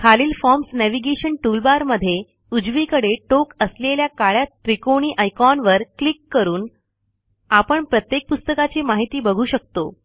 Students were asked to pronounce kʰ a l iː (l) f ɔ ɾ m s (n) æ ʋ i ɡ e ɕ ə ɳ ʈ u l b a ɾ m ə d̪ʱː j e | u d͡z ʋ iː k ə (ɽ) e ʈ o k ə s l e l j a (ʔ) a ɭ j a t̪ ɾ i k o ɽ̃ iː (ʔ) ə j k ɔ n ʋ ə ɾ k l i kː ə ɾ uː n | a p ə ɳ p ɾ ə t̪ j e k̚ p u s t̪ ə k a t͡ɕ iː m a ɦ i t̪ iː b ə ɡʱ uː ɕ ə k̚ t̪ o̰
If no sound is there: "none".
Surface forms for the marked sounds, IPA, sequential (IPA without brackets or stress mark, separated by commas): l, n, ɽ, k, ʔ